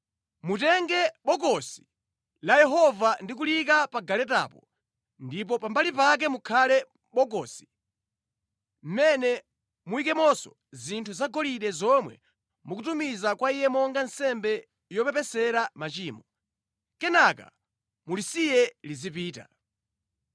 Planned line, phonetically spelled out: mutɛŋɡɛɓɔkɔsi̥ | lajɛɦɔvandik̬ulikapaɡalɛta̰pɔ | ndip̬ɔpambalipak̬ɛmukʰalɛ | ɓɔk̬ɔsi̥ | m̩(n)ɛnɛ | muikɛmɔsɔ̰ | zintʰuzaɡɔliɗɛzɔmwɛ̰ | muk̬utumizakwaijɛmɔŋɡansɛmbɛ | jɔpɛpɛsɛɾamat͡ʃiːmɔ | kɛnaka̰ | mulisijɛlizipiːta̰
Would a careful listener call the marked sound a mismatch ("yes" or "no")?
yes